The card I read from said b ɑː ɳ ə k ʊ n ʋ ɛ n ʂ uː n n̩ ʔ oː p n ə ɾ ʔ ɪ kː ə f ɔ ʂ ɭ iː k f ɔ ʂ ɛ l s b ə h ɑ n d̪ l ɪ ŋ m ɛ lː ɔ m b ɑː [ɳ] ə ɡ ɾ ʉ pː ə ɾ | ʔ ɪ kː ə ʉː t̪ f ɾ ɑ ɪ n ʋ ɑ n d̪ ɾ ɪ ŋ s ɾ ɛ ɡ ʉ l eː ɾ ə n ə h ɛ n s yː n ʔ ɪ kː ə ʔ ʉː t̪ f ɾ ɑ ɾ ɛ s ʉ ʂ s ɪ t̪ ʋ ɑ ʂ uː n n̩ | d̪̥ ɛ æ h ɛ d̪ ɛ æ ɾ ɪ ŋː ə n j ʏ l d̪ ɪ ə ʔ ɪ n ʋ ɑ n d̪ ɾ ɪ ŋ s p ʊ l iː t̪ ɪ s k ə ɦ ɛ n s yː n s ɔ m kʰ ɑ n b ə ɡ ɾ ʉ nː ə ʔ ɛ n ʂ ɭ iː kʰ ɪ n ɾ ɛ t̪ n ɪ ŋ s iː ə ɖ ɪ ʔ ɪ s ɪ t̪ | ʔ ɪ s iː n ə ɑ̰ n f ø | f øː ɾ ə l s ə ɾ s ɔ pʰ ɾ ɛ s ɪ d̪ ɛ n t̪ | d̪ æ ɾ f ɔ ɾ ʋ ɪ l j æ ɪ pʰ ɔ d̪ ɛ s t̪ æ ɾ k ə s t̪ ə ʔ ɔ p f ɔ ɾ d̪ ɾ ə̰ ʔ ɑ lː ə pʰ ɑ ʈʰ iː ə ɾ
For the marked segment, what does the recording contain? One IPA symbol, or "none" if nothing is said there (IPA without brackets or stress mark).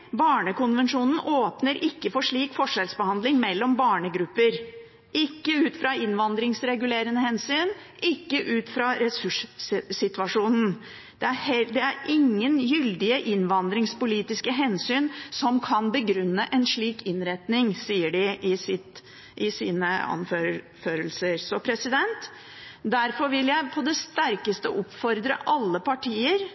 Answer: ɳ